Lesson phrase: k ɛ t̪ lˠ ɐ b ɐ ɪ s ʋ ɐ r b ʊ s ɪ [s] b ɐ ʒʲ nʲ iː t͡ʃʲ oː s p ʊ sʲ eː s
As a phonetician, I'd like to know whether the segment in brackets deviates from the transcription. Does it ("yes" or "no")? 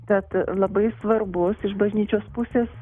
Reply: yes